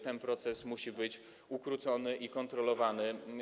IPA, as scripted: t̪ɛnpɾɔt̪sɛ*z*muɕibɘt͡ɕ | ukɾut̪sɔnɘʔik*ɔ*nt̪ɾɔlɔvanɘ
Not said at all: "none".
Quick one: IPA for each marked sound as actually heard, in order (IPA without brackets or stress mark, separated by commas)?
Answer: s, ɔ